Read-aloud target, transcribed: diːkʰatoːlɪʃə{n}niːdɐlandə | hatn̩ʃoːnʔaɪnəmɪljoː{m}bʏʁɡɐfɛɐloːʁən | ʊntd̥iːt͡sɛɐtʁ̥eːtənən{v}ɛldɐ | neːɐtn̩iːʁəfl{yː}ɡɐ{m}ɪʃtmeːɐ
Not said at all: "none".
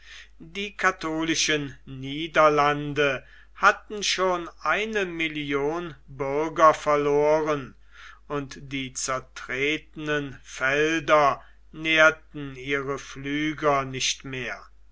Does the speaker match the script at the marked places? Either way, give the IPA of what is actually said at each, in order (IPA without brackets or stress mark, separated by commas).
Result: n, n, f, yː, n